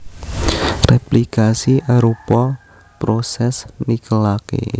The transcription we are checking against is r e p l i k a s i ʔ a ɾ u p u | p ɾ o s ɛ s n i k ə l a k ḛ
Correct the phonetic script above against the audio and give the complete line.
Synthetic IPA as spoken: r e p l i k a s i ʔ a ɾ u p ɔ | p ɾ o s ɛ s n i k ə l a k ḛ